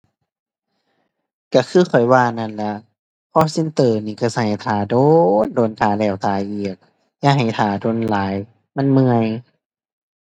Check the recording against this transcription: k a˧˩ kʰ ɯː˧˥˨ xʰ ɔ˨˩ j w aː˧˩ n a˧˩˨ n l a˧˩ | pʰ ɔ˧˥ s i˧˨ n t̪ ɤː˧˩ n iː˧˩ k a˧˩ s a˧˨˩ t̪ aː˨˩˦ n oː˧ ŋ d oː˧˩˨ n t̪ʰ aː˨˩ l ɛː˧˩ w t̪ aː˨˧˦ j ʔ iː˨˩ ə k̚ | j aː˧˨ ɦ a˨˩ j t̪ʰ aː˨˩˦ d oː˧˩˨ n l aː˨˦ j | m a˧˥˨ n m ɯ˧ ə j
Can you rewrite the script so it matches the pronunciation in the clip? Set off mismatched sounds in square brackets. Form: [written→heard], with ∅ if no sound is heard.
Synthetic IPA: k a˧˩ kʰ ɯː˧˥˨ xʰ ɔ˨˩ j w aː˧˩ n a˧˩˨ n l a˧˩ | pʰ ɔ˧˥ s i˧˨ n t̪ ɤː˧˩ n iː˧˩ k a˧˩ s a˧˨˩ [t̪→t̪ʰ] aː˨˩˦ [n→d] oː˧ [ŋ→n] d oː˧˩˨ n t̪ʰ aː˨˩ l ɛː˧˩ w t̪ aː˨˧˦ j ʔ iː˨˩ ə k̚ | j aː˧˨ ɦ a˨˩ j t̪ʰ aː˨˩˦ d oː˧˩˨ n l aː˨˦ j | m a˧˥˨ n m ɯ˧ ə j